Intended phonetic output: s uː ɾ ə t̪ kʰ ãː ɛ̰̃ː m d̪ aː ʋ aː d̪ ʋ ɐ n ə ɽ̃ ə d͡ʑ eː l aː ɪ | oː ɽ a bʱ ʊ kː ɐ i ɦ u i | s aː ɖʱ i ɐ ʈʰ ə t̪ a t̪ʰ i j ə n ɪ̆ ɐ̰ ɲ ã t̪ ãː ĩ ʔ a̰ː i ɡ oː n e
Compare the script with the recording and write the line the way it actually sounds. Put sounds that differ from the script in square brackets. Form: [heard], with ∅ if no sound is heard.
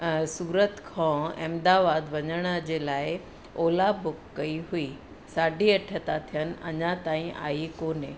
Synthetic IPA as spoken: s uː ɾ ə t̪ kʰ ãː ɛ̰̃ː m d̪ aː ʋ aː d̪ ʋ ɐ [ɲ] ə ɽ̃ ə d͡ʑ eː l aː ɪ | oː [l] a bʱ ʊ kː ɐ i ɦ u i | s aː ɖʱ i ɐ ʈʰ ə t̪ a t̪ʰ i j ə n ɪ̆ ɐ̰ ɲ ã t̪ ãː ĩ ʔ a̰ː i [k] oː n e